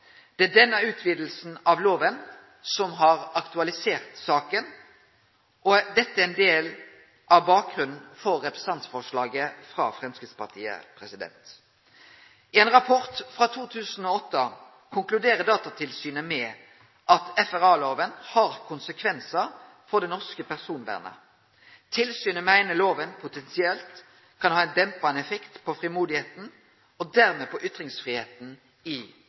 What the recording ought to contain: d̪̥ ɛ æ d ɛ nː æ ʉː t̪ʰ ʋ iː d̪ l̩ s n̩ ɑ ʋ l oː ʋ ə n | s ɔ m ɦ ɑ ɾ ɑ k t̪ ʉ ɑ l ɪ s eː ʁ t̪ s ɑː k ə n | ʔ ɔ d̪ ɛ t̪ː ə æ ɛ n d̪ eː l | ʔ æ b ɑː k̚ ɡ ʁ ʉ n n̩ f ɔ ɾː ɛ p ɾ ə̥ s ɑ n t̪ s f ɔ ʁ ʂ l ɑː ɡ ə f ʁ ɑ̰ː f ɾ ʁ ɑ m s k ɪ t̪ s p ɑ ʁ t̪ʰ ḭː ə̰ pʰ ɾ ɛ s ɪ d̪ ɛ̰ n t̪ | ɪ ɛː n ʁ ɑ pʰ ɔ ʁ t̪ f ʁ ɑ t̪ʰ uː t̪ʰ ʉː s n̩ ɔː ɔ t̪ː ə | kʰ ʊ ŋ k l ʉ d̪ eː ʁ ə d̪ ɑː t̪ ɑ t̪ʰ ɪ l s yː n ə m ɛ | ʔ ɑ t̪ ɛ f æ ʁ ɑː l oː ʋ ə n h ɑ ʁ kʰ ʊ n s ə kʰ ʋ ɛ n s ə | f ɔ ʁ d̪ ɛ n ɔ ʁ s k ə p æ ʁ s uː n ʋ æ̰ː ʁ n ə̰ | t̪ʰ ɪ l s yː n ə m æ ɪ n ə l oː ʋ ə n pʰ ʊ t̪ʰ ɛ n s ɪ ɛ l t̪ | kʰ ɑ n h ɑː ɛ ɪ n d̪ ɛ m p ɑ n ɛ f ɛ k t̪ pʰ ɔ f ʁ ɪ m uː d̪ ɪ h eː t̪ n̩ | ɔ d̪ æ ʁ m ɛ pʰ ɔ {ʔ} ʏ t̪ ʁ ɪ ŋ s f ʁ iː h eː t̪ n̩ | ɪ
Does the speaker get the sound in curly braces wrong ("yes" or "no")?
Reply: no